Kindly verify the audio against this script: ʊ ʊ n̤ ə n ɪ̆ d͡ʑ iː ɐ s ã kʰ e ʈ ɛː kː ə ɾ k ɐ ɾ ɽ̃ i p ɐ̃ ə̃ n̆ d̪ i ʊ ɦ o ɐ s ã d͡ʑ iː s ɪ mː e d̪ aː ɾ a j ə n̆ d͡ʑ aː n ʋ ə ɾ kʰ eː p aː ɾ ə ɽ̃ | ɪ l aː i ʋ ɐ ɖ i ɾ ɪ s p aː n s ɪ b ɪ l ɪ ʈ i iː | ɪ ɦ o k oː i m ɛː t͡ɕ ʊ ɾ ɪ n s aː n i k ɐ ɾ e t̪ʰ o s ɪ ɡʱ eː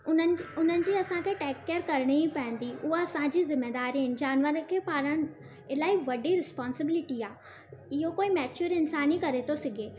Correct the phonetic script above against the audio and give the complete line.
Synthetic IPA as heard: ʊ ʊ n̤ ə n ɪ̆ d͡ʑ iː ɐ s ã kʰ e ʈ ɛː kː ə ɾ k ɐ ɾ ɽ̃ i p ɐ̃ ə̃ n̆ d̪ i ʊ ɦ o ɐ s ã d͡ʑ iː z ɪ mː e d̪ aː ɾ i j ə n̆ d͡ʑ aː n ʋ ə ɾ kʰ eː p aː ɾ ə ɽ̃ | ɪ l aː i ʋ ɐ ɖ i ɾ ɪ s p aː n s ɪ b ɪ l ɪ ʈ i aː | ɪ ɦ o k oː i m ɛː t͡ɕ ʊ ɾ ɪ n s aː n i k ɐ ɾ e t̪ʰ o s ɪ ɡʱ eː